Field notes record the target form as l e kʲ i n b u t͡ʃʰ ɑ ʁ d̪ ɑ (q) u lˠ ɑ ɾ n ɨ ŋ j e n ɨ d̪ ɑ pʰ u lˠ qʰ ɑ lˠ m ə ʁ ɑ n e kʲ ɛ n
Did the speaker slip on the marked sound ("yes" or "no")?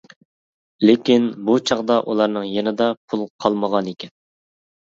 yes